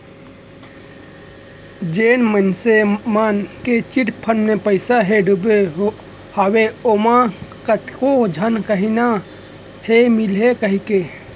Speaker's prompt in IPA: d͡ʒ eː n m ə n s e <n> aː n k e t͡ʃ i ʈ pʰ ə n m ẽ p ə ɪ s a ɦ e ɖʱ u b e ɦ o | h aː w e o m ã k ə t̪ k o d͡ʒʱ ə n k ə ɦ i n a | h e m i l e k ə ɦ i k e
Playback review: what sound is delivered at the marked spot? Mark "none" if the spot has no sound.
m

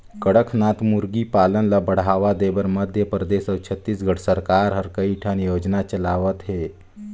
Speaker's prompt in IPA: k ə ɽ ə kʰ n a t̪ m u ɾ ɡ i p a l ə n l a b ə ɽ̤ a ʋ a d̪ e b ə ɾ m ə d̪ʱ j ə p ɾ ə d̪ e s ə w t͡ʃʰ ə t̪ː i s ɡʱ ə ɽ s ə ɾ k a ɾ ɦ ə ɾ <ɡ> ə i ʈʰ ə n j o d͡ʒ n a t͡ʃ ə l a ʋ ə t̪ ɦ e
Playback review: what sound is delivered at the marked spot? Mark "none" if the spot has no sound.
k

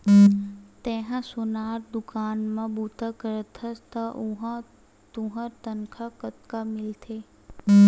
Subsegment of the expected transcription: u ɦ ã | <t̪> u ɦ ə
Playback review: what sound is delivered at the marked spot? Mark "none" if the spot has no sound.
t̪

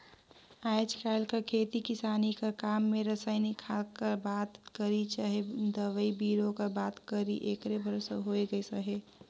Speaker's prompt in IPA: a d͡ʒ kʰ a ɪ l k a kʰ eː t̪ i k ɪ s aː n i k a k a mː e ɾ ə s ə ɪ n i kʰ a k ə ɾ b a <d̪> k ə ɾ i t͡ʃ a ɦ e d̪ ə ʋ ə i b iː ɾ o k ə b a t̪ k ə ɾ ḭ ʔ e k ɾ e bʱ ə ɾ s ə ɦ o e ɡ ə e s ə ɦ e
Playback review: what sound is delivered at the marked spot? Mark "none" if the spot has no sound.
t̪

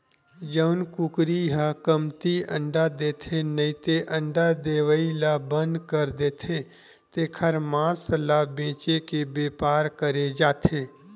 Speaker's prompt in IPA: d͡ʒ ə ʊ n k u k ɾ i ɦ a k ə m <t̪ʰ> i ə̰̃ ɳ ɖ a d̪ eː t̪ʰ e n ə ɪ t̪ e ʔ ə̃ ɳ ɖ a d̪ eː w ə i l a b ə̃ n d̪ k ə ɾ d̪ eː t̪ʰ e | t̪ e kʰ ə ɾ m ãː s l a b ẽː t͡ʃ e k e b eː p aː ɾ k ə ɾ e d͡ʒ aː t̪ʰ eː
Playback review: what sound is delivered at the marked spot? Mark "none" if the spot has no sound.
t̪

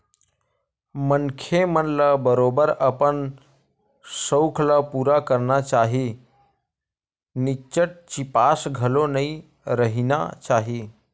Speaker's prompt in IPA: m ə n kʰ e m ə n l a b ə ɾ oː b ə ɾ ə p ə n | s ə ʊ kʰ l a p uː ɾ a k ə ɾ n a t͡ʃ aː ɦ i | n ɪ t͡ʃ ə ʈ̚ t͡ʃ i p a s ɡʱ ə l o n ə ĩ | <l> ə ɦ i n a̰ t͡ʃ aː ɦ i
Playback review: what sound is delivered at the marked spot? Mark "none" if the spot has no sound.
ɾ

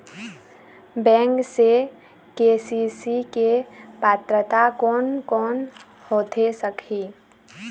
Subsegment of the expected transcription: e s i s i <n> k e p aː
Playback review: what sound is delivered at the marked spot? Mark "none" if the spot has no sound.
none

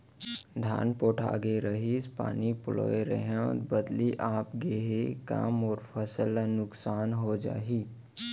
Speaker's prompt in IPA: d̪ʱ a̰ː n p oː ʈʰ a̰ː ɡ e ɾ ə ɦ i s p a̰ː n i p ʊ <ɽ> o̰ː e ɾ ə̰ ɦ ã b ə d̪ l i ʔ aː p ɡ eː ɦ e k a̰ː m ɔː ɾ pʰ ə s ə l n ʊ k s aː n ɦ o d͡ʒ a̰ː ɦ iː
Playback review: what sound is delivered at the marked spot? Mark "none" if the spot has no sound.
l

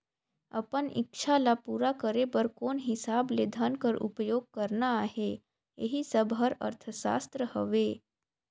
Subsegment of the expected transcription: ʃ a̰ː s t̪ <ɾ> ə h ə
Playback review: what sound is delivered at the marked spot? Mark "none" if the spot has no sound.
ɾ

